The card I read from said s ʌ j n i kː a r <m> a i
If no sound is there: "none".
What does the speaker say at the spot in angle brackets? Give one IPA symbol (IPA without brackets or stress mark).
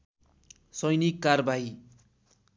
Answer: b